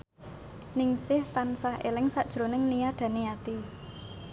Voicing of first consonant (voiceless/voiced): voiced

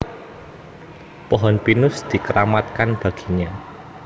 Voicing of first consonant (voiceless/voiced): voiceless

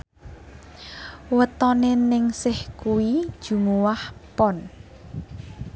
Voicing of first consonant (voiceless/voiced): voiced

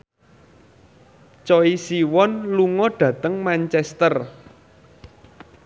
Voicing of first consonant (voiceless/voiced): voiceless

